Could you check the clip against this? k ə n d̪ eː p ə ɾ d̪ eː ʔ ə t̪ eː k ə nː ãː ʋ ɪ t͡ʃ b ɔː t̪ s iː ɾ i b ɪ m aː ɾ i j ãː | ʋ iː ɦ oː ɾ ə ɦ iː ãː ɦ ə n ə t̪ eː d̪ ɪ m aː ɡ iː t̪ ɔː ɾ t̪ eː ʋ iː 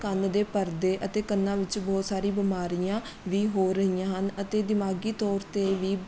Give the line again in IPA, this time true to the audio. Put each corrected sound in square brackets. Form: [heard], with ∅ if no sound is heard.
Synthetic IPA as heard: k ə n d̪ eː p ə ɾ d̪ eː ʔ ə t̪ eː k ə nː ãː ʋ ɪ t͡ʃ b ɔː t̪ s [aː] ɾ [iː] b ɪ m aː ɾ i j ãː | ʋ iː ɦ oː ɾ ə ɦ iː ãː ɦ ə n ə t̪ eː d̪ ɪ m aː ɡ iː t̪ ɔː ɾ t̪ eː ʋ iː

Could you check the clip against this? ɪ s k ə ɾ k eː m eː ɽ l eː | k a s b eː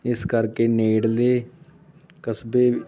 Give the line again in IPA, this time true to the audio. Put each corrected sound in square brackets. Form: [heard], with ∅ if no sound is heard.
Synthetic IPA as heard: ɪ s k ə ɾ k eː [n] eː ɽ l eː | k [ə] s b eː

